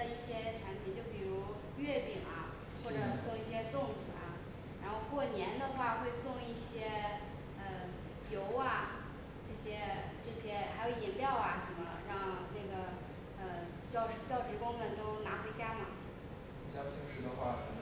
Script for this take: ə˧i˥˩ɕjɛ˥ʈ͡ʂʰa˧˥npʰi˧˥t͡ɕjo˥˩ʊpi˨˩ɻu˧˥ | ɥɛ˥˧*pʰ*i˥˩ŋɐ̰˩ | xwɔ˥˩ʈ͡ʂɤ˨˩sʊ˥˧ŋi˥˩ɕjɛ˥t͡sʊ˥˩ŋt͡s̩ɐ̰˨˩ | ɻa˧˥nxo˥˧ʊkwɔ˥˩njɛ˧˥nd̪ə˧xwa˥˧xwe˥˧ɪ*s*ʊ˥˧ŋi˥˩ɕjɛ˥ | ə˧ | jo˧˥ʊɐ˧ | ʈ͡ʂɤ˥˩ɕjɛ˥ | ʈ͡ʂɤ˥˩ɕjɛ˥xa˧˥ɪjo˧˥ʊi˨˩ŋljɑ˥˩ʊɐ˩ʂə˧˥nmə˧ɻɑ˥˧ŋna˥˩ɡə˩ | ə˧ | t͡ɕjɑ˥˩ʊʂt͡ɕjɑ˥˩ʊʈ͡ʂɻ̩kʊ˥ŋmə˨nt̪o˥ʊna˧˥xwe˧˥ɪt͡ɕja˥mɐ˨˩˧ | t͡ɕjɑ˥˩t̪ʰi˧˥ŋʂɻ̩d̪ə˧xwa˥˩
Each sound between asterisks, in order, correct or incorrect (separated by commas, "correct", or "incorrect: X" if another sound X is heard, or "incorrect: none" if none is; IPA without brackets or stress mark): incorrect: p, correct